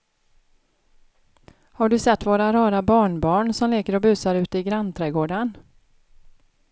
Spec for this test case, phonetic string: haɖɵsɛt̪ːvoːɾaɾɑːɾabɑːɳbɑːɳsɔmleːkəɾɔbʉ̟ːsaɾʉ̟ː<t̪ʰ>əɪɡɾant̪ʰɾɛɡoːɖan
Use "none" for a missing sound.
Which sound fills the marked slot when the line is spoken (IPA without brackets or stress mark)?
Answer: t̪